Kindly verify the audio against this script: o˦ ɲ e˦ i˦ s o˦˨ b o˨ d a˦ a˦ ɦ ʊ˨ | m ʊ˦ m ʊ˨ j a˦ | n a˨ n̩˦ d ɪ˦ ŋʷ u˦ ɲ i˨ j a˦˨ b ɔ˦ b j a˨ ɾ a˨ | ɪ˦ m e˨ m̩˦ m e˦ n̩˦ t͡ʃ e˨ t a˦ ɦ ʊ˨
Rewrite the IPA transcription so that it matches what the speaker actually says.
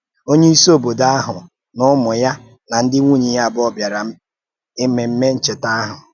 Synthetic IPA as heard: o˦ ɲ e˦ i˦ s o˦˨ b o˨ d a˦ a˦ ɦ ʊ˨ | n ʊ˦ m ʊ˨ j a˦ | n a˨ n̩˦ d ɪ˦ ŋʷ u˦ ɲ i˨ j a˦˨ b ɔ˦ b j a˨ ɾ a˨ | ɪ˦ m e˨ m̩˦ m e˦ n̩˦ t͡ʃ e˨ t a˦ ɦ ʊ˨